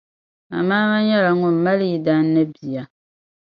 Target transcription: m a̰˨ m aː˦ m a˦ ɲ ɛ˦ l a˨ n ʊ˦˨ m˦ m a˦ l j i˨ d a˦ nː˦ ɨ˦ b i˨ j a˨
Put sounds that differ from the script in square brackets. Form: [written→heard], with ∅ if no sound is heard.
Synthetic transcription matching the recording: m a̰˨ m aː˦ m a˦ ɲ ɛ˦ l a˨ [n→ŋ] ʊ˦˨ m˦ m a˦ l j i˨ d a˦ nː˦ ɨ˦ b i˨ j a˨